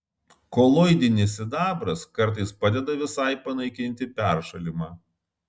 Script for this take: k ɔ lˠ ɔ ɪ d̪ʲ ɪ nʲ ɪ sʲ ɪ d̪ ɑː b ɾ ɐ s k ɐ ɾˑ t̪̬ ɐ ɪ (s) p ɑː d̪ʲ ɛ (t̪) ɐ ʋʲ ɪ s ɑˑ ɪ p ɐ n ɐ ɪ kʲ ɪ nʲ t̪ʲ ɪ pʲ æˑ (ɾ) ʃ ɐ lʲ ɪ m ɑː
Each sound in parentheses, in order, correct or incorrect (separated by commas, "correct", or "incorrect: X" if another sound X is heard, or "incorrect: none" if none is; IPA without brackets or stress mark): correct, incorrect: d̪, correct